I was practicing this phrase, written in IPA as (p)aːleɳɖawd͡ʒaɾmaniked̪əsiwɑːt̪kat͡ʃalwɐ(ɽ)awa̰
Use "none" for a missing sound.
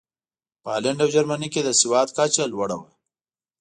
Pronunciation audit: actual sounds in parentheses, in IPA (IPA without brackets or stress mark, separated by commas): p, ɽ